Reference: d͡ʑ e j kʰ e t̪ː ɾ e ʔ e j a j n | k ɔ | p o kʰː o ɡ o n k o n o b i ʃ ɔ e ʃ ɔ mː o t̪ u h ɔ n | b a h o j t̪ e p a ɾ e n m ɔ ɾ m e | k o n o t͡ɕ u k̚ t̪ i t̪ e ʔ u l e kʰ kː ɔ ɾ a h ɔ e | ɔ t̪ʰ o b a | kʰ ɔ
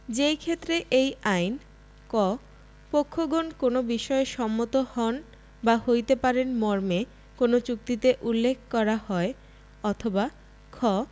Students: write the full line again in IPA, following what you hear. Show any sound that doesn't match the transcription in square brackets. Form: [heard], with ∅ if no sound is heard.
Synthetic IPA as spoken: d͡ʑ e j kʰ e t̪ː ɾ e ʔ e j a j n | k ɔ | p o kʰː o ɡ o n k o n o b i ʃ ɔ e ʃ ɔ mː o t̪ [o] h ɔ n | b a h o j t̪ e p a ɾ e n m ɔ ɾ m e | k o n o t͡ɕ u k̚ t̪ i t̪ e ʔ u [lː] e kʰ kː ɔ ɾ a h ɔ e | ɔ t̪ʰ o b a | kʰ ɔ